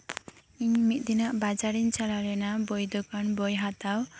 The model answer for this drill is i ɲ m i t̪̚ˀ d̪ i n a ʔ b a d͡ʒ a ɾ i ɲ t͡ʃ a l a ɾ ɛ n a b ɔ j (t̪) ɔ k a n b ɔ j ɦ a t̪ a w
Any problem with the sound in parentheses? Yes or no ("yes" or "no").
yes